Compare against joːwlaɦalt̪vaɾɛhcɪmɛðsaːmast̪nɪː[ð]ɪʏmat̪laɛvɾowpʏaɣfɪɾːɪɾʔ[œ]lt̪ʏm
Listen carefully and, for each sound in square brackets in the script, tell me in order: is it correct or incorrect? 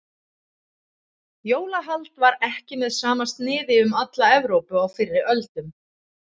correct, correct

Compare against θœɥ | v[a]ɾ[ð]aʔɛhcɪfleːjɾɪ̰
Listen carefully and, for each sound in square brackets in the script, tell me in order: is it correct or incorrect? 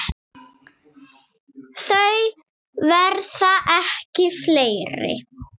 incorrect: ɛ, incorrect: θ

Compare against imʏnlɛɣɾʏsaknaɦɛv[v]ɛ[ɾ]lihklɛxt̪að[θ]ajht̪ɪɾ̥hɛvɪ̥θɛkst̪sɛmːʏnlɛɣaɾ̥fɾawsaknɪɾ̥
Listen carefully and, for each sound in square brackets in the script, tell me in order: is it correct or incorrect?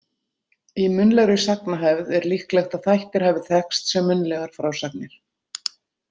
incorrect: ð, correct, correct

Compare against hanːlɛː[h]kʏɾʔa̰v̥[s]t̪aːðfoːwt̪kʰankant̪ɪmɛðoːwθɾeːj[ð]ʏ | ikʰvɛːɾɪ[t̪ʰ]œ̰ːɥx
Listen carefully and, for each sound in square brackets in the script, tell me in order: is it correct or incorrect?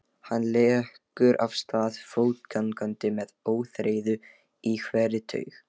correct, correct, correct, correct

